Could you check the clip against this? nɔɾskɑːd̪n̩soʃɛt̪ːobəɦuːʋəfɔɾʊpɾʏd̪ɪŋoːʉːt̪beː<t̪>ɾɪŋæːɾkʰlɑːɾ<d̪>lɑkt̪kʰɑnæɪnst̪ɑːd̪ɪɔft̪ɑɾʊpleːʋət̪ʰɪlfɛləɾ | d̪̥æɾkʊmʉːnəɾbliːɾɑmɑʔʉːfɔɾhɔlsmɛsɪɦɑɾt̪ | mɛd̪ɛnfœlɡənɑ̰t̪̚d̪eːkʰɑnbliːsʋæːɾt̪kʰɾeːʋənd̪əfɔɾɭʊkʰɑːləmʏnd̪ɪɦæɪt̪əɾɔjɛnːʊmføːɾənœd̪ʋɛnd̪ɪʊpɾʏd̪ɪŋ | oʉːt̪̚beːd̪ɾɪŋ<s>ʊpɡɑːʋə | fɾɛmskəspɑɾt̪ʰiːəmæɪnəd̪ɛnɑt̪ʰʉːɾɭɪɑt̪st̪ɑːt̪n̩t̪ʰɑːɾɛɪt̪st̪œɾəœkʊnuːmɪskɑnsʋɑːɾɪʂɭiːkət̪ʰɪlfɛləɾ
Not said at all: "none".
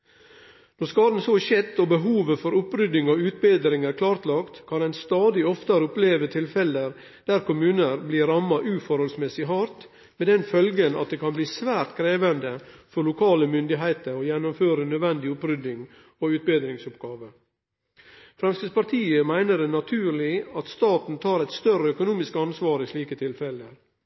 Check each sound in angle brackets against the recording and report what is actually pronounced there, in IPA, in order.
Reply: d̪, t̪, s

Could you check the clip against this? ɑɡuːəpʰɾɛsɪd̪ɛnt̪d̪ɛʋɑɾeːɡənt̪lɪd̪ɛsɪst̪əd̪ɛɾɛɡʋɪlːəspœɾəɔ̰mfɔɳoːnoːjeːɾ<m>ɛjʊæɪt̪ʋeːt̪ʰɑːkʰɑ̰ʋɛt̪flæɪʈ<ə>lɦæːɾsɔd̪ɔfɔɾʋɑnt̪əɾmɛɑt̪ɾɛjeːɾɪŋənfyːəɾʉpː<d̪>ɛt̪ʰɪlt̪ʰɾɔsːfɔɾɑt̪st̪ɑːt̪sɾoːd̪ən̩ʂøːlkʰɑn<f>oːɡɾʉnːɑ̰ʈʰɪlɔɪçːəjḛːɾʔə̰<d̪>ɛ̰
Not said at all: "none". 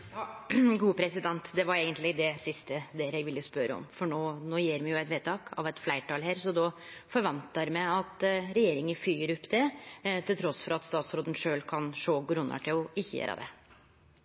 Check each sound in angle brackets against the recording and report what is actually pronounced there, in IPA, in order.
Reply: m, ɑ, d̪, ʂ, d̪

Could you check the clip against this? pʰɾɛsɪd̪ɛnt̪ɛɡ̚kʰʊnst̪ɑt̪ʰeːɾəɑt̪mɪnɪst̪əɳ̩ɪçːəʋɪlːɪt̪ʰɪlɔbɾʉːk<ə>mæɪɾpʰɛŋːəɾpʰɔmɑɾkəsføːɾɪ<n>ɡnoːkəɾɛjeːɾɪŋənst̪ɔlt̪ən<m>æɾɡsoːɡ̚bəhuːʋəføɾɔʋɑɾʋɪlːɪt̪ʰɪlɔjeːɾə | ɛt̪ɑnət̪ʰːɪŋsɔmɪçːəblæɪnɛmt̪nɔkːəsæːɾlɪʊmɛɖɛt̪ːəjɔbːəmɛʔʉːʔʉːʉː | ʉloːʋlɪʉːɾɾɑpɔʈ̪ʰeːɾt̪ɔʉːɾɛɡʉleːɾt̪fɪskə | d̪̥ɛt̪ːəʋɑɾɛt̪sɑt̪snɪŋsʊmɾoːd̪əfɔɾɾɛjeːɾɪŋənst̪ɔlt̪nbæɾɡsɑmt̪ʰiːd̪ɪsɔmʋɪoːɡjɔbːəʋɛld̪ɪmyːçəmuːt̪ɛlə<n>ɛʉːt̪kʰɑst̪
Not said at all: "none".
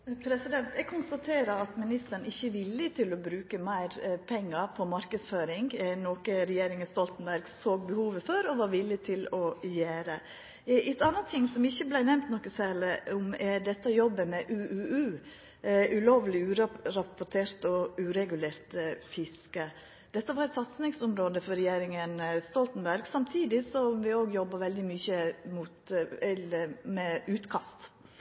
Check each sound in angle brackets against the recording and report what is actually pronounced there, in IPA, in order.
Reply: ə, ŋ, b, m

